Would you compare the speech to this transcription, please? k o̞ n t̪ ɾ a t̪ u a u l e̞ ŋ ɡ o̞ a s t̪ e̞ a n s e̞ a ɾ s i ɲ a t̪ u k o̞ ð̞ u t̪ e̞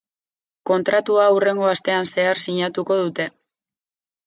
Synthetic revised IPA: k o̞ n t̪ ɾ a t̪ u a u r e̞ ŋ ɡ o̞ a s t̪ e̞ a n s e̞ a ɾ s i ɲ a t̪ u k o̞ ð̞ u t̪ e̞